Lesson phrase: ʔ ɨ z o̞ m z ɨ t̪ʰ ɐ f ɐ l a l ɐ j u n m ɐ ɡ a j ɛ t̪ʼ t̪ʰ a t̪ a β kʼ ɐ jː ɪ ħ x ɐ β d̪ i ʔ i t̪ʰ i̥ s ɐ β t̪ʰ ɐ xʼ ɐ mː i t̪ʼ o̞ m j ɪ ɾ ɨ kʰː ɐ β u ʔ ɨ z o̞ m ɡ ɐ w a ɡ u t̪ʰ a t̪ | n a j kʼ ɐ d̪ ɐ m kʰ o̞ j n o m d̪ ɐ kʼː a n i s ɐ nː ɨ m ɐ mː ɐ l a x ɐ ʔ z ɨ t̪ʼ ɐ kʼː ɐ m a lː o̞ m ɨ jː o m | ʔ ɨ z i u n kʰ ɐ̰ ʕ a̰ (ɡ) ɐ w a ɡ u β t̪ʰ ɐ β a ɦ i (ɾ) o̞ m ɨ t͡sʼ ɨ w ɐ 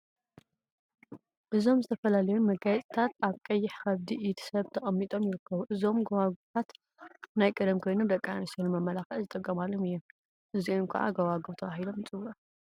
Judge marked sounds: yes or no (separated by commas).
yes, no